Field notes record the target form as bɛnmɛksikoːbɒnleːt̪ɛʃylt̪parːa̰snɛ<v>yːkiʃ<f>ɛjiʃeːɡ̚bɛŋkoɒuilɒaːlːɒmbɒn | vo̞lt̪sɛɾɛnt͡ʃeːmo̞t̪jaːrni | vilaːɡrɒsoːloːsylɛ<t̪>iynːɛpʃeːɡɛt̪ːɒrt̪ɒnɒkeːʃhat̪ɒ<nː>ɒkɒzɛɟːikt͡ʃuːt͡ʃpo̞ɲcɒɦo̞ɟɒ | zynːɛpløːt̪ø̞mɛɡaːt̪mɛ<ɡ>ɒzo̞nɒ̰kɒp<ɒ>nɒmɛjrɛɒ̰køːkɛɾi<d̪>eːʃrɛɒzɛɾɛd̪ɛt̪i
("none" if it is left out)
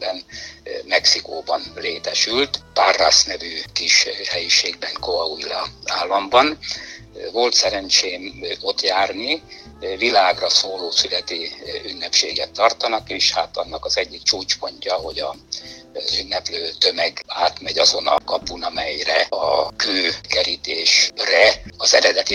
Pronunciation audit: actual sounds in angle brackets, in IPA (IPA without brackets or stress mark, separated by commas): v, h, t̪, nː, ɟ, u, t̪